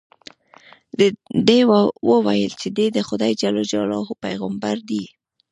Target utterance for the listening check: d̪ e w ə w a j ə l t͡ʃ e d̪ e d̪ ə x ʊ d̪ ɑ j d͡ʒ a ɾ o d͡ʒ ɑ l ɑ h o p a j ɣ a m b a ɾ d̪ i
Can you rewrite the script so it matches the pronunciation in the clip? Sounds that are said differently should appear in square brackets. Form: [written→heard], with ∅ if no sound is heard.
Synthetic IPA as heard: d̪ e w ə w a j ə l t͡ʃ e d̪ e d̪ ə x ʊ d̪ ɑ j d͡ʒ a [ɾ→l] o d͡ʒ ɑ l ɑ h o p a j ɣ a m b a ɾ d̪ i

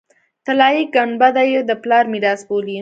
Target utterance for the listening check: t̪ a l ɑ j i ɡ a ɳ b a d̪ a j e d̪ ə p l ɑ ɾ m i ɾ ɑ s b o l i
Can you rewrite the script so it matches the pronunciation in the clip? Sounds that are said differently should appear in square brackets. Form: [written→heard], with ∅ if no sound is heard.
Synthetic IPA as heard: t̪ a l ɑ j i ɡ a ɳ b a d̪ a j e d̪ ə p l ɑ ɾ m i ɾ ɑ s b o l i

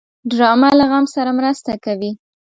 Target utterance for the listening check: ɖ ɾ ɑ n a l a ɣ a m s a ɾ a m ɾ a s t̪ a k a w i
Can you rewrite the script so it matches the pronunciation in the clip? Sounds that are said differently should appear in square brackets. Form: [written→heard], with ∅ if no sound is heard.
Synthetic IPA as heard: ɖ ɾ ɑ [n→m] a l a ɣ a m s a ɾ a m ɾ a s t̪ a k a w i

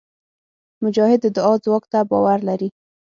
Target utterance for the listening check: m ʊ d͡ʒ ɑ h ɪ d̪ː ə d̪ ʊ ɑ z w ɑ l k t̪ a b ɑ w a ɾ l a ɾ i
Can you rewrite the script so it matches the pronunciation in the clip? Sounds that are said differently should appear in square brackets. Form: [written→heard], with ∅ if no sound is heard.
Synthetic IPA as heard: m ʊ d͡ʒ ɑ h ɪ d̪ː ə d̪ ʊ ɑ z w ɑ [l→∅] k t̪ a b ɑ w a ɾ l a ɾ i

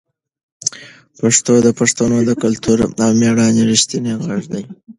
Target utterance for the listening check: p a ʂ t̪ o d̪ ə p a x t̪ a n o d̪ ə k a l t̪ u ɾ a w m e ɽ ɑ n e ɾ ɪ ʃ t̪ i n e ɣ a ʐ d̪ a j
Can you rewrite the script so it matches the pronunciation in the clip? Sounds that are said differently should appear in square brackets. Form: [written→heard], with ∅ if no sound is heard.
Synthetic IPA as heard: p a ʂ t̪ o d̪ ə p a [x→ʂ] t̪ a n o d̪ ə k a l t̪ u ɾ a w m e ɽ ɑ n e ɾ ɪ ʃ t̪ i n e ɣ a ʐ d̪ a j

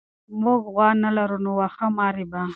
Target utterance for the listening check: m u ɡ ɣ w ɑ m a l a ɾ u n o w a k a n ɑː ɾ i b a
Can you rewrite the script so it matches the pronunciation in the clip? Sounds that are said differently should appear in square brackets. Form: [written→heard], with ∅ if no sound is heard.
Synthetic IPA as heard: m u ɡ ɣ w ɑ [m→n] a l a ɾ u n o w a [k→x] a [n→m] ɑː ɾ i b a

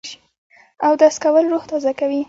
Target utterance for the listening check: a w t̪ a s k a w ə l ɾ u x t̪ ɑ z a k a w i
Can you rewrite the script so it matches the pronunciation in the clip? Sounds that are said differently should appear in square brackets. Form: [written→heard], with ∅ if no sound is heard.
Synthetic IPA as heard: a w [t̪→d̪] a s k a w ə l ɾ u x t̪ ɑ z a k a w i

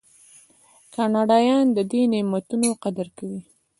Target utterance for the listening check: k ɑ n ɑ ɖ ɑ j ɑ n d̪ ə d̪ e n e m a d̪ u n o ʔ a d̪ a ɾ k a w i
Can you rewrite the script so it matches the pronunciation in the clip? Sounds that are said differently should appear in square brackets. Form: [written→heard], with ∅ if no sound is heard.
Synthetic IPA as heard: k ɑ n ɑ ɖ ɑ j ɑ n d̪ ə d̪ e n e m a [d̪→t̪] u n o [ʔ→q] a d̪ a ɾ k a w i

